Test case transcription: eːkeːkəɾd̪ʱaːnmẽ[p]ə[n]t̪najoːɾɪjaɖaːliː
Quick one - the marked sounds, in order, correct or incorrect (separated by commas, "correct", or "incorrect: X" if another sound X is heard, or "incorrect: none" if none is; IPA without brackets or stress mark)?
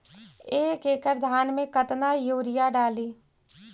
incorrect: k, incorrect: none